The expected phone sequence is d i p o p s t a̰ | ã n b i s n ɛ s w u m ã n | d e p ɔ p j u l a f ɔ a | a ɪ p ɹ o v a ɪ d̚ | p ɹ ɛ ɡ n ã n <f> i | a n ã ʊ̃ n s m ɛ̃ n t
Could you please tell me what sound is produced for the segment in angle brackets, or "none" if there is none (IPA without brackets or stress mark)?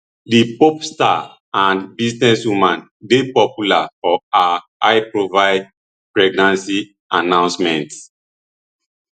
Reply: s